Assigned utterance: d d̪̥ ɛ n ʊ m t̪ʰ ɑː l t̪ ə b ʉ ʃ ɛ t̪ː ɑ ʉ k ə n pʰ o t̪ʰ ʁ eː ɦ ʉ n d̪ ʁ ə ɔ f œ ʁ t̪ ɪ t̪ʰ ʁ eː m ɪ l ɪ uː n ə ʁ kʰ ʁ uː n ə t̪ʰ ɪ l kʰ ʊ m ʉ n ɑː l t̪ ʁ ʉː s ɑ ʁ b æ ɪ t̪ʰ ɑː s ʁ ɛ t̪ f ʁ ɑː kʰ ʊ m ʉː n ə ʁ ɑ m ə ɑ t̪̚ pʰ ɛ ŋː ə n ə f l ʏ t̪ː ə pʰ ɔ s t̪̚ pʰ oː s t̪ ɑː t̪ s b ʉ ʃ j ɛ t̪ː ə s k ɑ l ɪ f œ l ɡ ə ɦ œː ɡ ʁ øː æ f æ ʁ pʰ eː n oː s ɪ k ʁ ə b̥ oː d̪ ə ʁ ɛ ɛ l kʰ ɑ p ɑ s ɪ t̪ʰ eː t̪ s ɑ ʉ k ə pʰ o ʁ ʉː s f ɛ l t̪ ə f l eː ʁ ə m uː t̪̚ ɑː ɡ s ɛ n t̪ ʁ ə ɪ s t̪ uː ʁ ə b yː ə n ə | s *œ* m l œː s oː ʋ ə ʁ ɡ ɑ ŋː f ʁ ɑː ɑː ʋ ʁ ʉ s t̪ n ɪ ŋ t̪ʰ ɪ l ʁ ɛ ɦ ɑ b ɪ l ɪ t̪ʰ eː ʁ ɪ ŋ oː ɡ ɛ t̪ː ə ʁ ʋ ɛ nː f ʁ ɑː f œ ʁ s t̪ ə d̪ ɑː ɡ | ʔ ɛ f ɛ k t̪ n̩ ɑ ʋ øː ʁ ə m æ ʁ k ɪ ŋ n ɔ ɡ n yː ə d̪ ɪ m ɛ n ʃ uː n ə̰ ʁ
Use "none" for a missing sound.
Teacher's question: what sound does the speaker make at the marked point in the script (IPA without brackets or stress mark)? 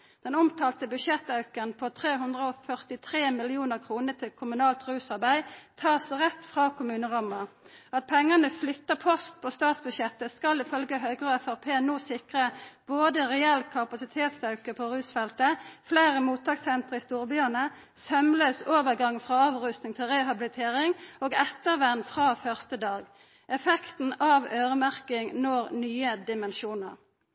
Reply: œ